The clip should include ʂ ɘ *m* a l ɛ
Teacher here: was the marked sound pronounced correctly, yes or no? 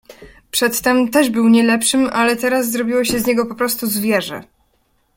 yes